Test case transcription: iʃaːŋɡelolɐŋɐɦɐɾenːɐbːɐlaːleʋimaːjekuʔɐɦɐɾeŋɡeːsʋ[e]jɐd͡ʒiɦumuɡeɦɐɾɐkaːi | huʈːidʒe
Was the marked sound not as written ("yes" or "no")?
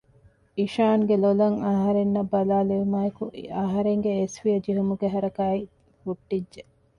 yes